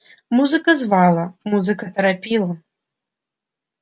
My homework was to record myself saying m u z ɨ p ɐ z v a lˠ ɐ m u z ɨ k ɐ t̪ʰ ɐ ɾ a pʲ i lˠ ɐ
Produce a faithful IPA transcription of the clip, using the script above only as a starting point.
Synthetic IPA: m u z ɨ k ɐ z v a lˠ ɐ m u z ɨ k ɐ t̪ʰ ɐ ɾ a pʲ i lˠ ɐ